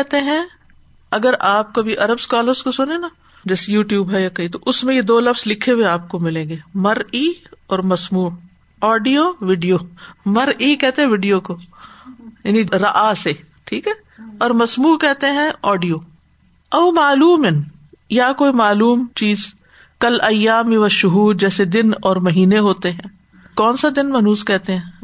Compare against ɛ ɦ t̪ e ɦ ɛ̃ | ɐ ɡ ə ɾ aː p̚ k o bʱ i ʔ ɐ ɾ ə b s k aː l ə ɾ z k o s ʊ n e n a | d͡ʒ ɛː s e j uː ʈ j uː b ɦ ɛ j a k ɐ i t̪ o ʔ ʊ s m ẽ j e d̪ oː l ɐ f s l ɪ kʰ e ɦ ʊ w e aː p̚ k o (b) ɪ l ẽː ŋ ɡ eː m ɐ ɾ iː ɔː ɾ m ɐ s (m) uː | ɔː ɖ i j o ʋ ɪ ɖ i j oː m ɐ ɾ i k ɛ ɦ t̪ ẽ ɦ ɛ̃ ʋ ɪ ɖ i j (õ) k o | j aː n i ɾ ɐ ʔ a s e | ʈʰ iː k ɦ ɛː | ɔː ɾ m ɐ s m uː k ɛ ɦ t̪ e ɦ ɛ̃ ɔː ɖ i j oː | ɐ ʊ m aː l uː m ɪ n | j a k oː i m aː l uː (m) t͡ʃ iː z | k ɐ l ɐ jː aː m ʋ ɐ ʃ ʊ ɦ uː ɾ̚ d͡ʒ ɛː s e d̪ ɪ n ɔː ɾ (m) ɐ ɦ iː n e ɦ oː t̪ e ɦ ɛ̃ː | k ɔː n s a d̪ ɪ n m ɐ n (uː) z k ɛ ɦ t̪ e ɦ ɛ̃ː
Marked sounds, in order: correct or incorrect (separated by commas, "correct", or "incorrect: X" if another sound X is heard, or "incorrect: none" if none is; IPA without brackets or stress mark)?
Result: incorrect: m, correct, incorrect: o, correct, correct, correct